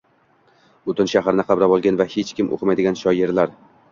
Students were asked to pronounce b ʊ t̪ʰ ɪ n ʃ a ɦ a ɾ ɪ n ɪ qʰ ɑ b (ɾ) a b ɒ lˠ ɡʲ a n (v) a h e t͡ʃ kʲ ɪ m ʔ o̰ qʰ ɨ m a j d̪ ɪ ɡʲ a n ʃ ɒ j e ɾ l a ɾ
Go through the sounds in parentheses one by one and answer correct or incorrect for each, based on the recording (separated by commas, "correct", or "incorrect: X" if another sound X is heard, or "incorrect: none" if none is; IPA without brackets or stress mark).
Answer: correct, correct